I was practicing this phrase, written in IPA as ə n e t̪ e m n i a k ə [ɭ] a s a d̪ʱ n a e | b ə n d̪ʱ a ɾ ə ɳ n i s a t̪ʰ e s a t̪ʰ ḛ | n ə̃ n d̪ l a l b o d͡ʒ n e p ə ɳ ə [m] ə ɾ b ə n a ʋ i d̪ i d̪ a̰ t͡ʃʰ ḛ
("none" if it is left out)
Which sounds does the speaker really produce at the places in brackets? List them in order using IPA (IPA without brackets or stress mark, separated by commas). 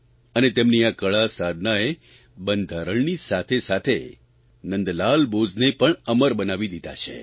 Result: ɭ, m